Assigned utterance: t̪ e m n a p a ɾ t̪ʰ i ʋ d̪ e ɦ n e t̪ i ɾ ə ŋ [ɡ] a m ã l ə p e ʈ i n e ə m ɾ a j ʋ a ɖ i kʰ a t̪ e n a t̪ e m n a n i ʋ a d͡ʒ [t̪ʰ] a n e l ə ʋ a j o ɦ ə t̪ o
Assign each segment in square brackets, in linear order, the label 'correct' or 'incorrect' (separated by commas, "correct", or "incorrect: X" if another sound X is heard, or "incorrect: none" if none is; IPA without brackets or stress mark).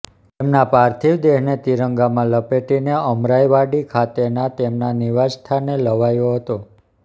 correct, correct